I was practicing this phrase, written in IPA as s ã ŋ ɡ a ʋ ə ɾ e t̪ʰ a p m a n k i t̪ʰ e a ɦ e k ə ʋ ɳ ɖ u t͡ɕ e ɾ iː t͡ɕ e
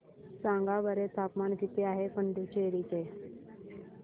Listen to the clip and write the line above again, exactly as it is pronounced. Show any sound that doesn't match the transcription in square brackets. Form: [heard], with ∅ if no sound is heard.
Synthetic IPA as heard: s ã ŋ ɡ a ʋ ə ɾ e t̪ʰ a p m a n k i [t̪] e a ɦ e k ə [∅] ɳ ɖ u t͡ɕ e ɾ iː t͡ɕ e